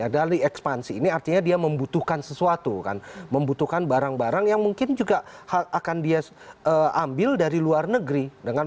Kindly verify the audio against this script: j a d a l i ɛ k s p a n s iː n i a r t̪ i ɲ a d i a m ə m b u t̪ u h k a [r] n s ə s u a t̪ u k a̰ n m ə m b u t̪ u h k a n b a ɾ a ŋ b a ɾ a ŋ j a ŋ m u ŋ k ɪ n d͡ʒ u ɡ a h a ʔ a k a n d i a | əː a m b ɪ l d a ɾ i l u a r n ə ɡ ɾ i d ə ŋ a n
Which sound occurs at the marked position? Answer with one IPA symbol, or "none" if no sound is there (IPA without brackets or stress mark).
none